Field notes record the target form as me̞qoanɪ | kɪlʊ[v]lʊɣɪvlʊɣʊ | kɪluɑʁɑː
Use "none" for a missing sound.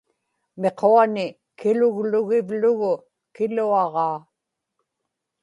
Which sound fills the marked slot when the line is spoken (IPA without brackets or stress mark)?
ɣ